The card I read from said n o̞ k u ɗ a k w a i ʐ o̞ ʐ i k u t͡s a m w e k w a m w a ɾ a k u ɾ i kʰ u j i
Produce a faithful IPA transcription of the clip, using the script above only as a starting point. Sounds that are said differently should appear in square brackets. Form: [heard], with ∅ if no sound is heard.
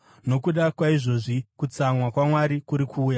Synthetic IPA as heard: n o̞ k u ɗ a k w a i ʐ o̞ ʐ i k u t͡s a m w [a] k w a m w a ɾ [i] k u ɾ i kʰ [uː] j [a]